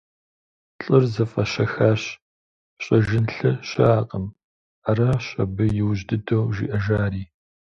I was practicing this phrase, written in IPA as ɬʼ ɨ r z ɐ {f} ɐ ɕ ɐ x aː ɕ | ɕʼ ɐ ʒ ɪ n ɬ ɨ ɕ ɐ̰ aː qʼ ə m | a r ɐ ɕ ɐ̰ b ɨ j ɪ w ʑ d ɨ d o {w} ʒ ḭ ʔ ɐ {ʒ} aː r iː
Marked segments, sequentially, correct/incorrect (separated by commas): correct, correct, correct